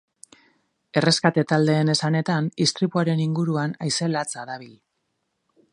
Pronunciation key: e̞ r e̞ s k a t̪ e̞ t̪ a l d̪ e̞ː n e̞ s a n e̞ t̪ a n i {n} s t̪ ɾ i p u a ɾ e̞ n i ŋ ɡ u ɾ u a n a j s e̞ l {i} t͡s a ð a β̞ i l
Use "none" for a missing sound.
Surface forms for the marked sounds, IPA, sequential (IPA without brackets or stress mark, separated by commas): none, a